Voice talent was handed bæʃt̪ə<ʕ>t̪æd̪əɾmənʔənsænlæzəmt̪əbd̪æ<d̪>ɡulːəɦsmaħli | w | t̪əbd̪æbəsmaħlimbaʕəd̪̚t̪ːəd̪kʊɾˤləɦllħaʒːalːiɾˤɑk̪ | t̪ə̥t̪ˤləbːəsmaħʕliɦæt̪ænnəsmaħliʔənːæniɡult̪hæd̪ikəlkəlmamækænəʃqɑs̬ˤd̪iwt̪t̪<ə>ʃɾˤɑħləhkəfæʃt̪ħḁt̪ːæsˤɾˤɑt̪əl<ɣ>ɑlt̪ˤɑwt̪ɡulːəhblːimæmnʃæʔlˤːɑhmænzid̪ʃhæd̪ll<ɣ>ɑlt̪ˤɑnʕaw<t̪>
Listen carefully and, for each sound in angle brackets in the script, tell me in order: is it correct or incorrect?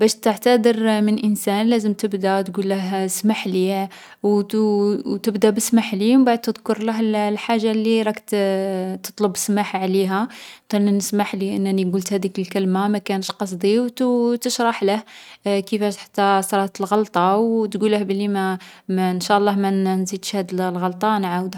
correct, incorrect, correct, correct, correct, incorrect

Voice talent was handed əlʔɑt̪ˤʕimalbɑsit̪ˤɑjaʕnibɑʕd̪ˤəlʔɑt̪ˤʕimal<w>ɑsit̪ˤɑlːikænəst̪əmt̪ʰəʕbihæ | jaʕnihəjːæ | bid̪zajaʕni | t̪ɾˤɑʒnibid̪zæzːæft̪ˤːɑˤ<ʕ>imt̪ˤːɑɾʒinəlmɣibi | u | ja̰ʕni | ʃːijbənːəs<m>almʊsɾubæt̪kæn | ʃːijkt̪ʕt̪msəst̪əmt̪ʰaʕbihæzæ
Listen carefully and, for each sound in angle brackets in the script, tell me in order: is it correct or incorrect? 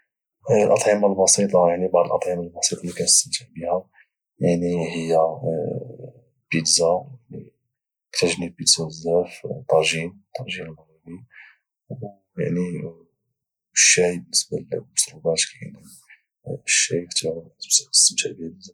incorrect, incorrect, incorrect

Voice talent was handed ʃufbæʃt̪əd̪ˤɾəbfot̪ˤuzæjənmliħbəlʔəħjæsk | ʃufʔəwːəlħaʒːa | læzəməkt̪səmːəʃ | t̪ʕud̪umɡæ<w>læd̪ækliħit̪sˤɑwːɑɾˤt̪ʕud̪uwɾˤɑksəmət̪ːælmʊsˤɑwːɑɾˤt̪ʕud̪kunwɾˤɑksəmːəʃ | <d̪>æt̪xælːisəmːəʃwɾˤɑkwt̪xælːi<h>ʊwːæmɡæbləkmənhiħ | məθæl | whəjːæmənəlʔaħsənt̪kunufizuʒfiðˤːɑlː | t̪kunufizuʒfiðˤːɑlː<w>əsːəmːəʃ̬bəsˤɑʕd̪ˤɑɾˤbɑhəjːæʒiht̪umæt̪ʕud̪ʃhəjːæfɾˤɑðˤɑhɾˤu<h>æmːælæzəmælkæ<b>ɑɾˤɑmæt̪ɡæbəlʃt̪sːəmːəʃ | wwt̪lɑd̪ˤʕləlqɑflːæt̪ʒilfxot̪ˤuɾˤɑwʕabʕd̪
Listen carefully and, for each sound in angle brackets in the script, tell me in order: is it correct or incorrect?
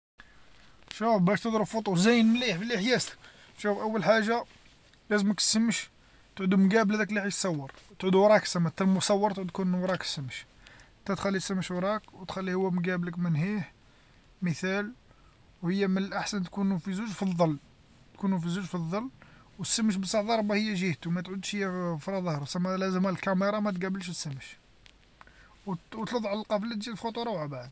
incorrect, incorrect, correct, correct, incorrect, incorrect

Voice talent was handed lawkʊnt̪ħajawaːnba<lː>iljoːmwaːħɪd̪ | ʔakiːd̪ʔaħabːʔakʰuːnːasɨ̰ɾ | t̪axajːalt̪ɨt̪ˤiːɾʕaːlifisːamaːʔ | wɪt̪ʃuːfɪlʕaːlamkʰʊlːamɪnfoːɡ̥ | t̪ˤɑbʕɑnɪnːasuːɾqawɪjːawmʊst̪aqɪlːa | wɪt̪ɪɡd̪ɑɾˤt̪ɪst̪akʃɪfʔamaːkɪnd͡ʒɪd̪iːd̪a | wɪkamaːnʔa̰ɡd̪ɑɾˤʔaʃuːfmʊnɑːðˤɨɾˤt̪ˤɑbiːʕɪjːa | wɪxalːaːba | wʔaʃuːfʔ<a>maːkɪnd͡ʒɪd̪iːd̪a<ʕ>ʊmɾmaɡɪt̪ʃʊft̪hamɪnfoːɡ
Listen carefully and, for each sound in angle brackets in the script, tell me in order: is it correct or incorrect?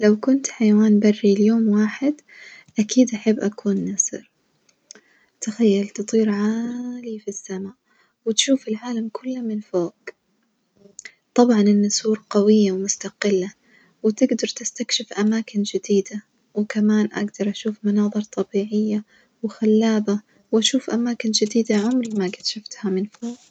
incorrect, correct, correct

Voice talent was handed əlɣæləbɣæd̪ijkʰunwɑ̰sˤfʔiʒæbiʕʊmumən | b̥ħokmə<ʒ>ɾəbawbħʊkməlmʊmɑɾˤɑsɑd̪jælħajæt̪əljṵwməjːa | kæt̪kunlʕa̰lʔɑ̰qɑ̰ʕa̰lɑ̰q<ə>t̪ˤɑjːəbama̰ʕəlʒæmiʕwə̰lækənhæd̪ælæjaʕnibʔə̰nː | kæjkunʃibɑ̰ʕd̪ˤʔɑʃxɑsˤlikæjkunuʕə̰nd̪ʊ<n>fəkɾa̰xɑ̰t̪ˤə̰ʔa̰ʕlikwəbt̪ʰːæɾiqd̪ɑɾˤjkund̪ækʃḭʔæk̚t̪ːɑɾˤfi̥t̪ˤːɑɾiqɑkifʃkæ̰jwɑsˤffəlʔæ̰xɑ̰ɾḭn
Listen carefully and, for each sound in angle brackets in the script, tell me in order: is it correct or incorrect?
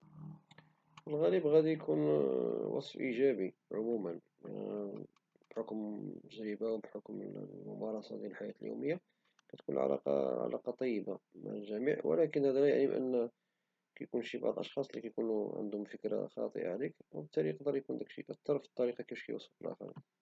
correct, incorrect, incorrect

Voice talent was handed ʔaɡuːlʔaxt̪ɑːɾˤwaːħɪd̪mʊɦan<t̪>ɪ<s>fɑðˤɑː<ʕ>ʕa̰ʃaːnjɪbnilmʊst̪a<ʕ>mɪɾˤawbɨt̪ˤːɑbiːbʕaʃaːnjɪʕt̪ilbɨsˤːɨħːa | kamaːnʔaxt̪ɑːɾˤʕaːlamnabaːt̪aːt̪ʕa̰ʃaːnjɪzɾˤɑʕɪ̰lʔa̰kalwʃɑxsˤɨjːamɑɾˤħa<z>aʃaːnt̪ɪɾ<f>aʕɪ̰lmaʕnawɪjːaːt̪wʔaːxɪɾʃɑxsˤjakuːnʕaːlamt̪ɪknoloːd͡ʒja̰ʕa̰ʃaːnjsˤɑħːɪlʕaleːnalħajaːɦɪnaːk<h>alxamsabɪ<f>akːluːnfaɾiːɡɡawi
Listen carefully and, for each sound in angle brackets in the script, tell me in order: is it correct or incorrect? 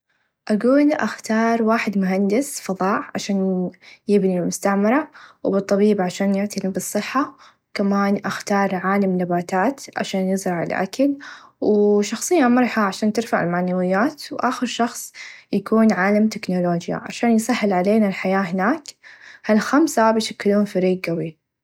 incorrect, correct, correct, correct, incorrect, correct, correct, incorrect

